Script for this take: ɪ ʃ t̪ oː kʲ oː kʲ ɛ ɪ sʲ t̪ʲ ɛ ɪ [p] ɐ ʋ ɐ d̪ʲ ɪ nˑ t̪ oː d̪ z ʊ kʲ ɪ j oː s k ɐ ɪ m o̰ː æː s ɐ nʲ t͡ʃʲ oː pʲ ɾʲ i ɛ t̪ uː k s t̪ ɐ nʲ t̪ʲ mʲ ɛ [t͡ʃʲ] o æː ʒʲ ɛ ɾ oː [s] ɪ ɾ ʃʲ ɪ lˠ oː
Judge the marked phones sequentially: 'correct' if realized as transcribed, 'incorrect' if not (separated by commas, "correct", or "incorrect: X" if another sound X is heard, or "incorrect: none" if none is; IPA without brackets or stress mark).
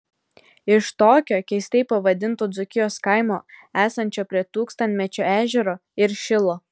correct, correct, incorrect: none